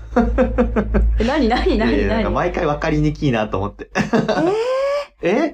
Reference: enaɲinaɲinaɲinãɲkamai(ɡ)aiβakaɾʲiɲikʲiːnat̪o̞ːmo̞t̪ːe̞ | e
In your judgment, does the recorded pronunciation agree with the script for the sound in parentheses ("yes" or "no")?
no